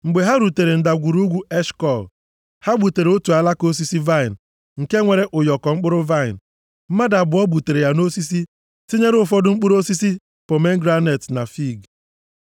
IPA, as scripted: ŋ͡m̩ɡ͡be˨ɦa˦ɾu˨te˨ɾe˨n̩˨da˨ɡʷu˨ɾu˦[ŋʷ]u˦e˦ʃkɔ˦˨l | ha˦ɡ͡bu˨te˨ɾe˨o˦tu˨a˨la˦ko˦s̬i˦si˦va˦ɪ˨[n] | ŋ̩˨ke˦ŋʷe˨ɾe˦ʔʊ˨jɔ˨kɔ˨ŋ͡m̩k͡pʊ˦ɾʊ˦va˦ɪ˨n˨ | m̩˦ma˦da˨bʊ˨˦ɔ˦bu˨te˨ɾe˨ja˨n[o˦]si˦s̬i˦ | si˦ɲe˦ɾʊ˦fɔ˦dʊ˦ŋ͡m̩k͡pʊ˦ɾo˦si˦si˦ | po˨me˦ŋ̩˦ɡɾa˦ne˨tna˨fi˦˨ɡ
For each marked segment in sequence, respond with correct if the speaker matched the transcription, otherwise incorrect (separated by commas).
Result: incorrect, correct, correct